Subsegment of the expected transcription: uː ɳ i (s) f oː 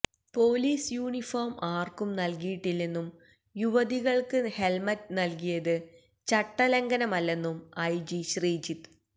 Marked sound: incorrect: none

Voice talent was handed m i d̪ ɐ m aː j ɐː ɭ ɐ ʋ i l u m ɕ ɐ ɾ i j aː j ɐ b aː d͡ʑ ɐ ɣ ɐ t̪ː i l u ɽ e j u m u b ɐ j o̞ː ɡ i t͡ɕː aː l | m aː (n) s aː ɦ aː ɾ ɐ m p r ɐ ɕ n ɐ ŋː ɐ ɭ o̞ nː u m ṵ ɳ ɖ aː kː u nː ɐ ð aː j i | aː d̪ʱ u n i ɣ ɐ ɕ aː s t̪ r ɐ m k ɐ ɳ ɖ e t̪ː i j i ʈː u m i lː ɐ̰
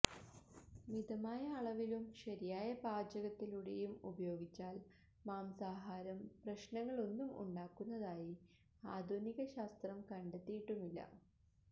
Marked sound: incorrect: m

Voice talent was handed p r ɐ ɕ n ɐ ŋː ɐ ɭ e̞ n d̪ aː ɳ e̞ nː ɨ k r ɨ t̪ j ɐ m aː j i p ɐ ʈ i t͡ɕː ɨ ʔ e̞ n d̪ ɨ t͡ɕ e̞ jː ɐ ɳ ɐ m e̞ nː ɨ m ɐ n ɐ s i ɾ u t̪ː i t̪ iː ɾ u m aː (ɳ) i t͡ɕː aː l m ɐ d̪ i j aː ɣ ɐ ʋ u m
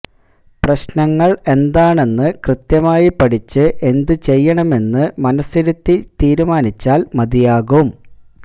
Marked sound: incorrect: n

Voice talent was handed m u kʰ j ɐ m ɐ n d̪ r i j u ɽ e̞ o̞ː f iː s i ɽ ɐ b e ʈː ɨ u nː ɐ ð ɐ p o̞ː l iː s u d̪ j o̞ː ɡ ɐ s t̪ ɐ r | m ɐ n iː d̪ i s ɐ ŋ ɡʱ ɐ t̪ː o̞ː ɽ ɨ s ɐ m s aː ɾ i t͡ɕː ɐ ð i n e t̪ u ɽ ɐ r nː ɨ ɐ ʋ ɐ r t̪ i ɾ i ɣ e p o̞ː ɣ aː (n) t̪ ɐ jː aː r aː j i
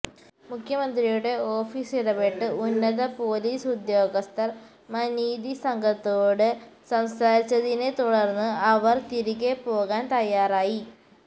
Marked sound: correct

